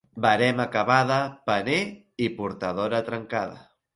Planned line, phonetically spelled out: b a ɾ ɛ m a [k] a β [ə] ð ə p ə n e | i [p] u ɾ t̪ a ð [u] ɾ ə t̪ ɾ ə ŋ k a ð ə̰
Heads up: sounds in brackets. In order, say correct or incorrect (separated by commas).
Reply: correct, incorrect, correct, incorrect